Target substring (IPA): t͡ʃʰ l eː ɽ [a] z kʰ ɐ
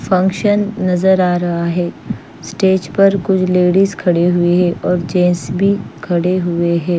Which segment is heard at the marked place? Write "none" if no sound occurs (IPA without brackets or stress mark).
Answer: i